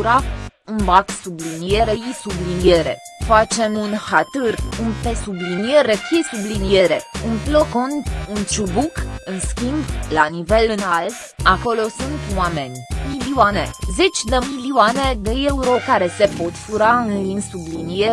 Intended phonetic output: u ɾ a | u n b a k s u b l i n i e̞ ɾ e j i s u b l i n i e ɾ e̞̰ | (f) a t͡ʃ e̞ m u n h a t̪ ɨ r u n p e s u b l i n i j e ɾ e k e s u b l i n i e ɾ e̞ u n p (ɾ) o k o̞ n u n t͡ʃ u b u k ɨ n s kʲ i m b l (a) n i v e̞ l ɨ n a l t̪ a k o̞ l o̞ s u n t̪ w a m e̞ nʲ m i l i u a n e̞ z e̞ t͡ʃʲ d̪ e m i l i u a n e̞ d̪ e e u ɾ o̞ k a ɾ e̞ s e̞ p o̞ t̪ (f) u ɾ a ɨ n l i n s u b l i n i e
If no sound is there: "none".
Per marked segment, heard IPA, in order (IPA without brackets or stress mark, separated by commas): f, l, a, f